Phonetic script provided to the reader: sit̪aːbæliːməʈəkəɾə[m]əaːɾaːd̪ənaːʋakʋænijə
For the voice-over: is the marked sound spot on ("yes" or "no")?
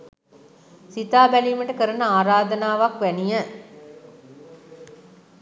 no